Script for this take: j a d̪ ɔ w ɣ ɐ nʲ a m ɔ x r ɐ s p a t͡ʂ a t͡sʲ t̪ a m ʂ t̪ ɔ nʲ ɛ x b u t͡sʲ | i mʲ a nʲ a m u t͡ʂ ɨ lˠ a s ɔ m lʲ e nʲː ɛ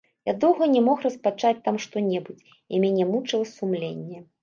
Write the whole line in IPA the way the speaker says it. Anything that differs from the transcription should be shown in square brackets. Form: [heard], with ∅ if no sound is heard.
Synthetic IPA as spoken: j a d̪ ɔ w ɣ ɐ nʲ [ɛ] m ɔ x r ɐ s p a t͡ʂ a t͡sʲ t̪ a m ʂ t̪ ɔ nʲ ɛ [∅] b u t͡sʲ | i mʲ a nʲ [ɛ] m u t͡ʂ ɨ lˠ [ɐ] s [u] m lʲ e nʲː ɛ